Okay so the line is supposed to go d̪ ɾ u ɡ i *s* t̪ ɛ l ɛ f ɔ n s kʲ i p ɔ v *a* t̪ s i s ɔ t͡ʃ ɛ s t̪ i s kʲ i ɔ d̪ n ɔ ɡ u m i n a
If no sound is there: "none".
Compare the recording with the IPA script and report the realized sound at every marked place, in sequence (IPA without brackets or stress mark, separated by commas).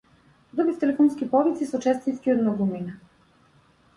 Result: f, i